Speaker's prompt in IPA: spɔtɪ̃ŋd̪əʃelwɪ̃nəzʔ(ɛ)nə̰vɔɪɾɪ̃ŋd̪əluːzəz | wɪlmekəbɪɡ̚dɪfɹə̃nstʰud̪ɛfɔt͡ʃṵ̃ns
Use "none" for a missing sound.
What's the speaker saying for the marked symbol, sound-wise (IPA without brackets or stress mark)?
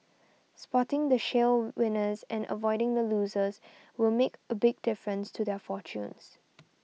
ɛ̃